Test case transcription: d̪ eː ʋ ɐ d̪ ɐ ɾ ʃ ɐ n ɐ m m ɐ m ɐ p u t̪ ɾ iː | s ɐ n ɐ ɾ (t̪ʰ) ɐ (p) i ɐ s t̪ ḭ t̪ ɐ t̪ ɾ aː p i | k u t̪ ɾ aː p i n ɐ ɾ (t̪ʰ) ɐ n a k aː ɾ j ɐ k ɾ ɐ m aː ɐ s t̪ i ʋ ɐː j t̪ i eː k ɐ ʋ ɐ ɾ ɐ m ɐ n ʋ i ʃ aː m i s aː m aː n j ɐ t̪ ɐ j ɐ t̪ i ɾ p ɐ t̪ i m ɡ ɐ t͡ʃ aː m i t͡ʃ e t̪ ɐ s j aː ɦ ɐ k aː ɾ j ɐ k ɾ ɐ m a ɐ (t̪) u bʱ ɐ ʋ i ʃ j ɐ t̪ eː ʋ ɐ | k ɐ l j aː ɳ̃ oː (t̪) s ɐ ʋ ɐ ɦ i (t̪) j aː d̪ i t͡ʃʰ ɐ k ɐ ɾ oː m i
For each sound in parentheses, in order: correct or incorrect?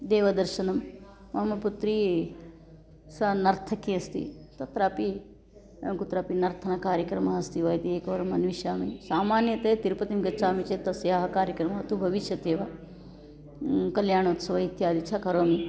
correct, incorrect: k, correct, correct, correct, correct

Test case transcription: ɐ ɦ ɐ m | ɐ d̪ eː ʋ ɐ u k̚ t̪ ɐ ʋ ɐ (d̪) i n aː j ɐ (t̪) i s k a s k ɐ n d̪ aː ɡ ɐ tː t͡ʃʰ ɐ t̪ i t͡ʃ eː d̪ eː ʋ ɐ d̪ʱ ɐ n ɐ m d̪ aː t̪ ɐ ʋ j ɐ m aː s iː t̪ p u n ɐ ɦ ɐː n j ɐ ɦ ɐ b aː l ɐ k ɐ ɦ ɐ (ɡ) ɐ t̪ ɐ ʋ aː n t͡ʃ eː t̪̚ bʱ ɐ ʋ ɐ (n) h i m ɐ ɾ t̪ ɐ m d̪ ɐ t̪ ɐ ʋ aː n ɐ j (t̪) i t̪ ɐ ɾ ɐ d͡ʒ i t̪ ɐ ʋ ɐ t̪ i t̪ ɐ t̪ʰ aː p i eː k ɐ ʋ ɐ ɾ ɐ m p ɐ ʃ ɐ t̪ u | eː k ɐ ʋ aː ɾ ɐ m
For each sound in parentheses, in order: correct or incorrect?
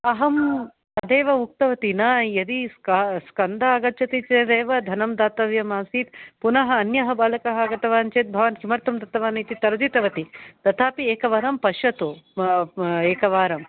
incorrect: t̪, incorrect: d̪, correct, correct, correct

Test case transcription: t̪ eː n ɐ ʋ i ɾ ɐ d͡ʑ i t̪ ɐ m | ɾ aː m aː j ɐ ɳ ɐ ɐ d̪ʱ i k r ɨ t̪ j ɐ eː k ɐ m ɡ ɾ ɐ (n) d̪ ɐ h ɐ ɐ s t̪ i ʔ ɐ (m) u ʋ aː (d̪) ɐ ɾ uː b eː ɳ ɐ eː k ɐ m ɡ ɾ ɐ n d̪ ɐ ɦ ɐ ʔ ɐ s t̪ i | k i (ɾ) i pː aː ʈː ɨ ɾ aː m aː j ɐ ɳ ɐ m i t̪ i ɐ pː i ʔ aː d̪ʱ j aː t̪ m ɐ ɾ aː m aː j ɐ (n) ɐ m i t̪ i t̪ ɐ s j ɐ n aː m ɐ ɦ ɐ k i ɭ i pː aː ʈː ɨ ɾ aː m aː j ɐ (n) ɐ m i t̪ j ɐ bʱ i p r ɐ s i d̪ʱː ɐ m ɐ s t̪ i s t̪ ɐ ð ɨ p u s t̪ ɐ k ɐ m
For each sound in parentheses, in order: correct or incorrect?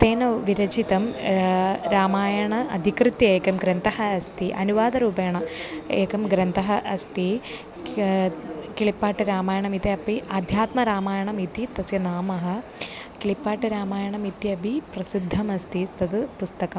correct, incorrect: n, correct, incorrect: ɭ, incorrect: ɳ, incorrect: ɳ

